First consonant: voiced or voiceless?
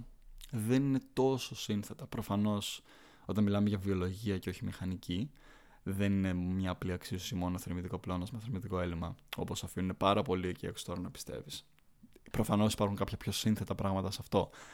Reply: voiced